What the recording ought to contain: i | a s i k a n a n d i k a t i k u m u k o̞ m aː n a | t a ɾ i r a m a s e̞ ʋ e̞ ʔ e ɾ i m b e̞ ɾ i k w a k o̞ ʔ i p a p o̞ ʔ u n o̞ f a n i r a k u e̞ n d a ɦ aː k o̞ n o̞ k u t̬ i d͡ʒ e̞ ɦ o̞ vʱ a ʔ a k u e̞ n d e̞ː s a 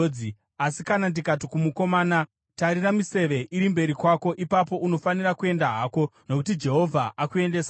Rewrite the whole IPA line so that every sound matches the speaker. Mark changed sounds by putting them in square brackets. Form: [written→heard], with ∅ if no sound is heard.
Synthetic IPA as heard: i | a s i k a n a n d i k a t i k u m u k o̞ m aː n a | t a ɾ i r a m [a→i] s e̞ ʋ e̞ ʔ [e→i] ɾ i m b e̞ ɾ i k w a k o̞ ʔ i p a p o̞ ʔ u n o̞ f a n i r a k u e̞ n d a ɦ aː k o̞ n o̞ k u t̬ i d͡ʒ e̞ ɦ o̞ vʱ a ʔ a k u e̞ n d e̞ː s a

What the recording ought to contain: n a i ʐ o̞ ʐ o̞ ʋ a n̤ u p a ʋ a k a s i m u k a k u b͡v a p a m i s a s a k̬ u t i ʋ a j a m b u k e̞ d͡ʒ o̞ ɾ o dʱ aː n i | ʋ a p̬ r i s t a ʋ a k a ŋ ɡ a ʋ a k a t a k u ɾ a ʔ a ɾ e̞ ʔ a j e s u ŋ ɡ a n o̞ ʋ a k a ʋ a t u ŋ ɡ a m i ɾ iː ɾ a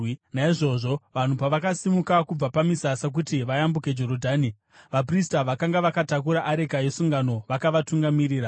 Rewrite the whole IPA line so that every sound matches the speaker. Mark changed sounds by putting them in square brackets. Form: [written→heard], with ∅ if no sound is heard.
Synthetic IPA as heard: n a i ʐ o̞ ʐ o̞ ʋ a n̤ u p a ʋ a k a s i m u k a k u b͡v a p a m i s a s a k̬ u t i ʋ a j a m b u k e̞ d͡ʒ o̞ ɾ o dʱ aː n i | ʋ a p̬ r i s t a ʋ a k a ŋ ɡ a ʋ a k a t a k u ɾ a ʔ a ɾ e̞ [ʔ→k] a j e s u ŋ ɡ a n o̞ ʋ a k a ʋ a t u ŋ ɡ a m i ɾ iː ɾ a

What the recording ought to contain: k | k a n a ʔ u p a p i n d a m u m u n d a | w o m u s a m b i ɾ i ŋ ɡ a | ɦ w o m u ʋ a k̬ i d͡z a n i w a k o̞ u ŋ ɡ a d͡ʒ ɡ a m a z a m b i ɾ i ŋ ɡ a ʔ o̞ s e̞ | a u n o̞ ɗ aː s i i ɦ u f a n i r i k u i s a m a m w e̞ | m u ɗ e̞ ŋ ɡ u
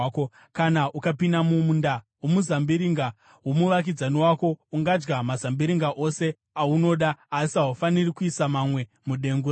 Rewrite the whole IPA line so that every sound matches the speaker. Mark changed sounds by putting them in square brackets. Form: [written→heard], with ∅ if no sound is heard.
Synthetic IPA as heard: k | k a n a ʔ u [p→k] a p i n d a m u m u n d a | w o m u [s→z] a m b i ɾ i ŋ ɡ a | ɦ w o m u ʋ a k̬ i d͡z a n i w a k o̞ u ŋ ɡ a d͡ʒ ɡ a m a z a m b i ɾ i ŋ ɡ a ʔ o̞ s e̞ | a u n o̞ ɗ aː s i [i→a] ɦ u f a n i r i k u i s a m a m w e̞ | m u ɗ e̞ ŋ ɡ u

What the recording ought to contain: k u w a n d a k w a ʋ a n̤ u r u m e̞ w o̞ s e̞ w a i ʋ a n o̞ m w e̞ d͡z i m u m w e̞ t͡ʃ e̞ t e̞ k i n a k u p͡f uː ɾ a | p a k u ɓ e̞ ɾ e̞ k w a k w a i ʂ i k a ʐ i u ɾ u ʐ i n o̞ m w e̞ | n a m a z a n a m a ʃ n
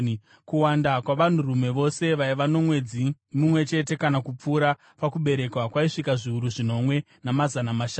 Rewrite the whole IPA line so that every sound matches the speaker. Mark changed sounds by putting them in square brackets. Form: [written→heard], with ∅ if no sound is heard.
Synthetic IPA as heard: k u w a n d a k w a ʋ a n̤ u r u m e̞ [w→ʋ] o̞ s e̞ [w→ʋ] a i ʋ a n o̞ m w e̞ d͡z i m u m w e̞ t͡ʃ e̞ t e̞ k [i→a] n a k u p͡f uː ɾ a | p a k u ɓ e̞ ɾ e̞ k w a k w a i ʂ i k a ʐ i u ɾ u ʐ i n o̞ m w e̞ | n a m a z a n a m a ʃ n

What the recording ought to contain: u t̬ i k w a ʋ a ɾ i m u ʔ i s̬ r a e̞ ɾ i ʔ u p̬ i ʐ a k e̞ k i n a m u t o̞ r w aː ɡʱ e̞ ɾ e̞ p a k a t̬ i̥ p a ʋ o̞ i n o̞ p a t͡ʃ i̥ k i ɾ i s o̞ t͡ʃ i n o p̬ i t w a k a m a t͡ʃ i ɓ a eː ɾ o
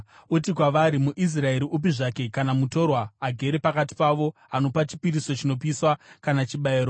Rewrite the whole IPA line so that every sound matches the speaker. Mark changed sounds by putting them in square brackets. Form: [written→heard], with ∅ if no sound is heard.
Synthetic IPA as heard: u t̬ i k w a ʋ a ɾ i m u ʔ i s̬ r a e̞ ɾ i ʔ u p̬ i ʐ a k e̞ k [i→a] n a m u t o̞ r w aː ɡʱ e̞ ɾ e̞ p a k a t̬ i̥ p a ʋ o̞ [i→a] n o̞ p a t͡ʃ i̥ [k→p] i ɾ i s o̞ t͡ʃ i n o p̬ i [t→s] w a k a [m→n] a t͡ʃ i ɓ a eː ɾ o

